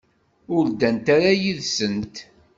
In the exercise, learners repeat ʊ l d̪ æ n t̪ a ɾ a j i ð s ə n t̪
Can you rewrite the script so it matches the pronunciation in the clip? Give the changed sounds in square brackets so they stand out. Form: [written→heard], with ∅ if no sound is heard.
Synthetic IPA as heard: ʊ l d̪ æ n t̪ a ɾ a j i ð s ə n t̪